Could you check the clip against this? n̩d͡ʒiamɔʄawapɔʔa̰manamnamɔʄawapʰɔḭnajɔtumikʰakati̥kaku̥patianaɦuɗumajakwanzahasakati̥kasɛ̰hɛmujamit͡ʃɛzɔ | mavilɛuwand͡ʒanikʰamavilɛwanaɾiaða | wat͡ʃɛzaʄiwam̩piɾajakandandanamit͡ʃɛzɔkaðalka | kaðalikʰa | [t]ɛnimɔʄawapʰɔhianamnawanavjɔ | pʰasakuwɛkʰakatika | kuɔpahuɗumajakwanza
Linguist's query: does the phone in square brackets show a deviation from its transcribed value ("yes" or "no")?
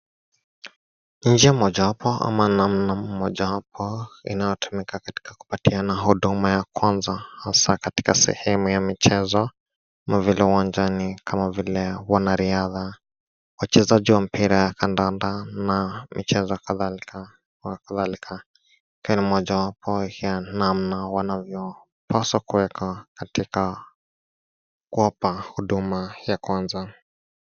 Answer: yes